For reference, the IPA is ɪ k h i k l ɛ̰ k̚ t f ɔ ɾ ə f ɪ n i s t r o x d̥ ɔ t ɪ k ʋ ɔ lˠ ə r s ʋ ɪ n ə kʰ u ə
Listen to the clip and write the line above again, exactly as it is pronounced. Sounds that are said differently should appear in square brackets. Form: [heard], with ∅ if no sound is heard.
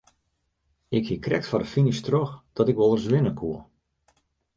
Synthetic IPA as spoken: ɪ k h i k [r] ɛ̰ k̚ t f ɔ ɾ ə f [i] n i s t r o x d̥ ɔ t ɪ k ʋ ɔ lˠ ə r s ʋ ɪ n ə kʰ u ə

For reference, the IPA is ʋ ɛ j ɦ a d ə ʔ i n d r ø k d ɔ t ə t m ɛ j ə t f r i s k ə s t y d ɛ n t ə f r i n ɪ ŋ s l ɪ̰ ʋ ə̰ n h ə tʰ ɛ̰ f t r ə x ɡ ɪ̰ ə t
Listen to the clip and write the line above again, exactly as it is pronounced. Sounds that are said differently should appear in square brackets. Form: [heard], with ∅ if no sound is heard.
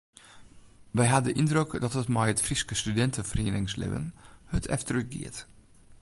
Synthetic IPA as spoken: ʋ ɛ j ɦ a d ə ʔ i n d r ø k d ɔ t ə t m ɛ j ə t f r i s k ə s t y d ɛ n t ə f r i n ɪ ŋ s l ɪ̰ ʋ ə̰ n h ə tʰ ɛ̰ f t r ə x ɡ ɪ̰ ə t

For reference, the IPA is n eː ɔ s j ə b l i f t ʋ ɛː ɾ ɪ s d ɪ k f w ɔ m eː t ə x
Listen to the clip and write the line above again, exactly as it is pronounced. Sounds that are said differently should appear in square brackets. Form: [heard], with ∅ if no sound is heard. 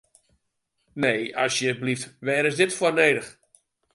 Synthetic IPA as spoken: n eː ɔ s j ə b l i f t ʋ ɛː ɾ ɪ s d ɪ [t] f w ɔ [n] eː [d] ə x

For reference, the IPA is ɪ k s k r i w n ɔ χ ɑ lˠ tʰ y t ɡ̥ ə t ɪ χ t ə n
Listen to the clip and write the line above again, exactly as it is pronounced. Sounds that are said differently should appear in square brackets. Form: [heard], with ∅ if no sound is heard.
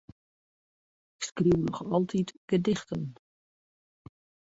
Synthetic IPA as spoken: ɪ k s k r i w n ɔ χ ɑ lˠ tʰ [i] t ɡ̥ ə [d] ɪ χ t ə n

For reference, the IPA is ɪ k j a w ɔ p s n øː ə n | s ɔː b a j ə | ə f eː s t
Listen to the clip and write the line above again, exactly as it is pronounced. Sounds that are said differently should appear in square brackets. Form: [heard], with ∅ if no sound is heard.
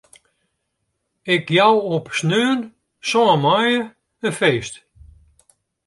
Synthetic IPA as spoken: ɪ k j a w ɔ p s n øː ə n | s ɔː [m] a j ə | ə f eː s t

